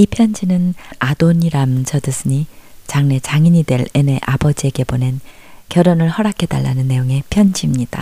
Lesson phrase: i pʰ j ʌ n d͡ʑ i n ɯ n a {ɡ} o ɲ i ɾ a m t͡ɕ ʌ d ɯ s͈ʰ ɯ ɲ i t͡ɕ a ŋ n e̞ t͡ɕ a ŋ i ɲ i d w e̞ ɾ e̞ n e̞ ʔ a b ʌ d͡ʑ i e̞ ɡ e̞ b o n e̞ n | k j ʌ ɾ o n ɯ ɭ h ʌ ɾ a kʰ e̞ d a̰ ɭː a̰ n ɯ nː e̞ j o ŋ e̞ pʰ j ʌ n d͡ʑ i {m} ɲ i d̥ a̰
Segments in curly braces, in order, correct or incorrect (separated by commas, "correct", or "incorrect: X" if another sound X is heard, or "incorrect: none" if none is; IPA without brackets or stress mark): incorrect: d, correct